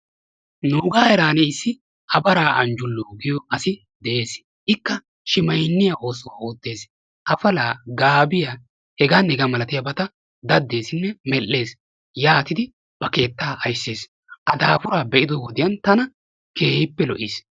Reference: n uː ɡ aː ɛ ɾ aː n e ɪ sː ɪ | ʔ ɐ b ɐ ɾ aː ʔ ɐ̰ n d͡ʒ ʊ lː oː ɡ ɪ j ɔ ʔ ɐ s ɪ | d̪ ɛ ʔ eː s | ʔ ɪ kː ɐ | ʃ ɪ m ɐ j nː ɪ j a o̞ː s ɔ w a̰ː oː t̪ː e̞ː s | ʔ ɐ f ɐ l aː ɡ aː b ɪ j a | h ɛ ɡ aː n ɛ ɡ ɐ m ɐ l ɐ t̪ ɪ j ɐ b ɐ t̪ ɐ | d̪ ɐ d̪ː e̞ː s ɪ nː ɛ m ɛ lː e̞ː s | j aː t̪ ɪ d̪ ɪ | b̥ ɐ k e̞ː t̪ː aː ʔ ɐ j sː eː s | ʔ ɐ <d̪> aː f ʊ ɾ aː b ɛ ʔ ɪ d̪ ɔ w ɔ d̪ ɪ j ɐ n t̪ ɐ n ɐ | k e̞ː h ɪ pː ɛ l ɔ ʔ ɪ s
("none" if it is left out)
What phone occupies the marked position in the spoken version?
d̪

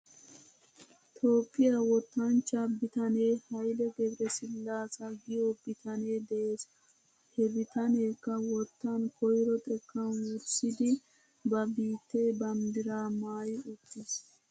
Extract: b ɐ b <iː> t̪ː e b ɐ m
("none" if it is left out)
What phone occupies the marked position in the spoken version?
iː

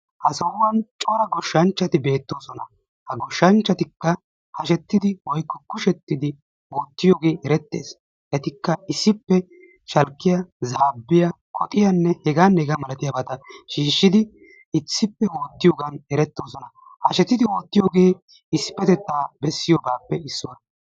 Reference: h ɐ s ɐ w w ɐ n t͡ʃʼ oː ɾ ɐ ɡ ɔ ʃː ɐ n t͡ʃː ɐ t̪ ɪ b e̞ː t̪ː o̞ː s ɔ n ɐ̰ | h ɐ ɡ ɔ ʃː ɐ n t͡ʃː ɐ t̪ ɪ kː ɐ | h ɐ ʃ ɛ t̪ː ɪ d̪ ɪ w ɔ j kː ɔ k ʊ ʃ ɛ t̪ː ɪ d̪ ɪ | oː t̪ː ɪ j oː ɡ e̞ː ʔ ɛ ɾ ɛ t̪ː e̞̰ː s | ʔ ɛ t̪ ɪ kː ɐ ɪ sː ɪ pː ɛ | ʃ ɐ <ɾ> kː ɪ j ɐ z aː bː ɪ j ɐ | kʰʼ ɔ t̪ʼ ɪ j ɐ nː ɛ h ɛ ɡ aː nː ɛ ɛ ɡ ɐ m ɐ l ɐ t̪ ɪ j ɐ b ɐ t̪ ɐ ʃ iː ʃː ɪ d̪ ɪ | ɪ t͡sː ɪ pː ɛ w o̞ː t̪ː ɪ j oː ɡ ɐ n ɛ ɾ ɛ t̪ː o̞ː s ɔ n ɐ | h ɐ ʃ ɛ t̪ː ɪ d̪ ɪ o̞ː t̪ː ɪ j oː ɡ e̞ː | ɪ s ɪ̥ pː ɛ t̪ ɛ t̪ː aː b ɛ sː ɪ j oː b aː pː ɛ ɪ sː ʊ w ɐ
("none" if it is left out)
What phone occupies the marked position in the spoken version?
l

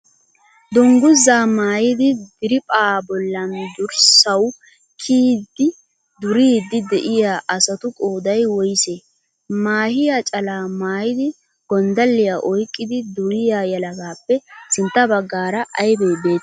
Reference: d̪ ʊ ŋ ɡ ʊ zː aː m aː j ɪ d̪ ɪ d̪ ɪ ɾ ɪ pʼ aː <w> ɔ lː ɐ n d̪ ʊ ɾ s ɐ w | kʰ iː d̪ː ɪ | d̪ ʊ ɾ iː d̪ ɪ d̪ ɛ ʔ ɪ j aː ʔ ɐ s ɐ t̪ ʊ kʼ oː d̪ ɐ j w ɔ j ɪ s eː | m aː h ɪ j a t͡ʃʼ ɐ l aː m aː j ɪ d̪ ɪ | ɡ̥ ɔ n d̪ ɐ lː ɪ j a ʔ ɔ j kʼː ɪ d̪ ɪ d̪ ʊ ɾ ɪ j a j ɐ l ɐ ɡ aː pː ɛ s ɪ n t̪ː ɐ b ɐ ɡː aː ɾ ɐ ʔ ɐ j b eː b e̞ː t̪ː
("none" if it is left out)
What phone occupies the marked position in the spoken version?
b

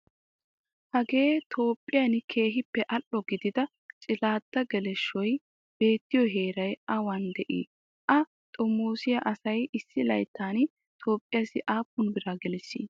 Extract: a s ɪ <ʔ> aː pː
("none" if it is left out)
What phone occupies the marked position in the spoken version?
ʔ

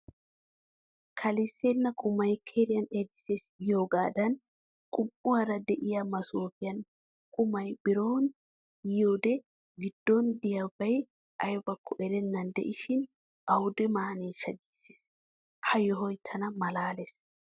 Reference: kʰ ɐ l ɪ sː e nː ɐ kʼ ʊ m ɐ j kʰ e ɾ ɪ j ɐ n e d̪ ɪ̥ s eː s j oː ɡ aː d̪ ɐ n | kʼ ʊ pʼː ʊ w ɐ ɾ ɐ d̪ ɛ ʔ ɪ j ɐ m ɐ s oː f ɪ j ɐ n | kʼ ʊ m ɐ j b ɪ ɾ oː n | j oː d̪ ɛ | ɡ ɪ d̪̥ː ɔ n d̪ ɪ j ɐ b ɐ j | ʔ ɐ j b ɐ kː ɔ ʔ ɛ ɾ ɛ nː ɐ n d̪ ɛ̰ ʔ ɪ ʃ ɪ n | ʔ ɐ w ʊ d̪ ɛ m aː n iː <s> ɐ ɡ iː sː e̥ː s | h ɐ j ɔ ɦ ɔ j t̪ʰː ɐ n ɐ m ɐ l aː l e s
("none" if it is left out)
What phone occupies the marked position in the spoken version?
ʃ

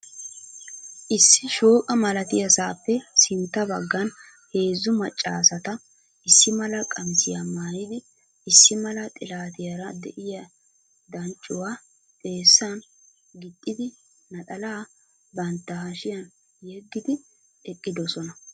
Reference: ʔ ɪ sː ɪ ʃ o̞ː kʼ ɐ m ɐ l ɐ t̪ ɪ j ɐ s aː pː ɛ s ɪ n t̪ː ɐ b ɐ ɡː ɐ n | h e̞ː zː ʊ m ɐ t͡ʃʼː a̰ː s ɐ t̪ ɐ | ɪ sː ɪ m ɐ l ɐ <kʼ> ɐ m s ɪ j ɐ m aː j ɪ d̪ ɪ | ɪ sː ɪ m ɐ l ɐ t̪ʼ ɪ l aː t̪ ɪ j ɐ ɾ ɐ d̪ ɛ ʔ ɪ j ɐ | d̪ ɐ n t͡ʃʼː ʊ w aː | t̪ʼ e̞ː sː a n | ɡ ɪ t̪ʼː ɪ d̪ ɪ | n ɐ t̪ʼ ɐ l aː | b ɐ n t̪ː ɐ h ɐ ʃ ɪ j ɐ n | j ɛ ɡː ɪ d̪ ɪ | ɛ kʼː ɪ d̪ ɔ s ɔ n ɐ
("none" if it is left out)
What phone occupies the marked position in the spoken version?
kʼ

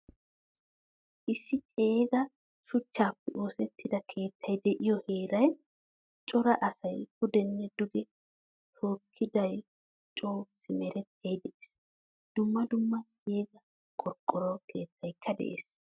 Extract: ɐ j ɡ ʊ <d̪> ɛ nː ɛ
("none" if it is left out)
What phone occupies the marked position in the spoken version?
d̪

